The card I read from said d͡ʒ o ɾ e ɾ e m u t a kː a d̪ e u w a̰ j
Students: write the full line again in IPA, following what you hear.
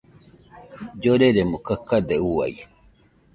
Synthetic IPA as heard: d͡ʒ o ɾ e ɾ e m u k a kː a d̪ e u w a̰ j